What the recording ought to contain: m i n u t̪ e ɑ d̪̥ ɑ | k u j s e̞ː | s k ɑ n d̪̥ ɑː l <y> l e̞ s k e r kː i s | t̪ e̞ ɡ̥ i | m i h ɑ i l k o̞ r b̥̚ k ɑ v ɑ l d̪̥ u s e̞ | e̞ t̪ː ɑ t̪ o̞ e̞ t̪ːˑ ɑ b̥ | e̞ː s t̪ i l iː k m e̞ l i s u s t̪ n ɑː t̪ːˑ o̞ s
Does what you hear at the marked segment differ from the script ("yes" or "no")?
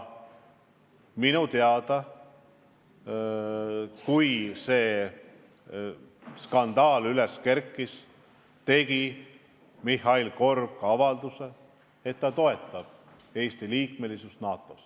no